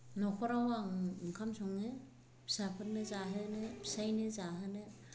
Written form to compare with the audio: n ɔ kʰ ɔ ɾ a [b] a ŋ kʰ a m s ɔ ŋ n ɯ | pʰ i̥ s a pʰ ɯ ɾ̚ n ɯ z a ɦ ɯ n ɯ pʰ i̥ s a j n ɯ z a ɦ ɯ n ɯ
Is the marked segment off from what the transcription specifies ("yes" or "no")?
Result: yes